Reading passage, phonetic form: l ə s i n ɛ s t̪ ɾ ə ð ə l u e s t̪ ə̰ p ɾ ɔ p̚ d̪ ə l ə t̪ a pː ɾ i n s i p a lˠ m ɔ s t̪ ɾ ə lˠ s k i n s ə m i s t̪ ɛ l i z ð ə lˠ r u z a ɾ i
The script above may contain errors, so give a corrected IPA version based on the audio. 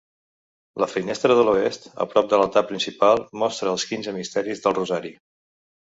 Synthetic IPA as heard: l ə f i n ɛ s t̪ ɾ ə ð ə l u e s t̪ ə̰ p ɾ ɔ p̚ d̪ ə l ə t̪ a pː ɾ i n s i p a lˠ m ɔ s t̪ ɾ əː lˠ s k i n z ə m i s t̪ ɛ ɾ i z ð ə lˠ r u z a ɾ i